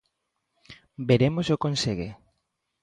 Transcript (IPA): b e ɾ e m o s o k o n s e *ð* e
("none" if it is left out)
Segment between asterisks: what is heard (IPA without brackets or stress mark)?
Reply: ɣ